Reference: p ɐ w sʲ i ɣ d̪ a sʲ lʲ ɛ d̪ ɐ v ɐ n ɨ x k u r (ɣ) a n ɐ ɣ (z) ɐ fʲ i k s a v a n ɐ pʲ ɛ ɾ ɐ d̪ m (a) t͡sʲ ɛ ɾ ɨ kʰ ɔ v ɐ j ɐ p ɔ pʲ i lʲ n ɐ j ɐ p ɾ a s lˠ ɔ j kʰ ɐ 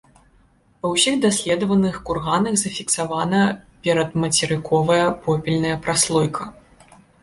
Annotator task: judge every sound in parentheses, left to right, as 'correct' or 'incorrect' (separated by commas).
correct, correct, incorrect